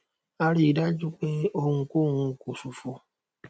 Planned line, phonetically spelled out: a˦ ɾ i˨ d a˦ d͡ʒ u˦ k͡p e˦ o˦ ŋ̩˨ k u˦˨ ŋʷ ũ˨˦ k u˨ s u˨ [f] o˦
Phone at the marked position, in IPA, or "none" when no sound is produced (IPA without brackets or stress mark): f